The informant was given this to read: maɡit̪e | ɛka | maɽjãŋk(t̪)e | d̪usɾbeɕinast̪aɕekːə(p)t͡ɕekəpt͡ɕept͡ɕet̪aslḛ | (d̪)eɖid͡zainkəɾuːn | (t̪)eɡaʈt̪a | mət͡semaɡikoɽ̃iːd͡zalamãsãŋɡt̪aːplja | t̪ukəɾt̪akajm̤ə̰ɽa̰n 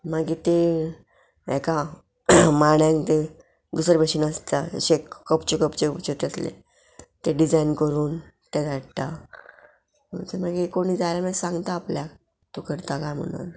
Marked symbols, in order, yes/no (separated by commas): yes, yes, no, yes